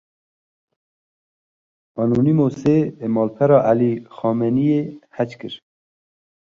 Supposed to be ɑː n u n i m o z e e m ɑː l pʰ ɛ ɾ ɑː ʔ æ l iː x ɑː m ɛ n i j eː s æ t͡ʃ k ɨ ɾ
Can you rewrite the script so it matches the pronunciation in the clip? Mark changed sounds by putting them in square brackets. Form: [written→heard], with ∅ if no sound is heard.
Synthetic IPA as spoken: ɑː n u n i m o [z→s] e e m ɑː l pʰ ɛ ɾ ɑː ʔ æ l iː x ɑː m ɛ n i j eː [s→h] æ t͡ʃ k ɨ ɾ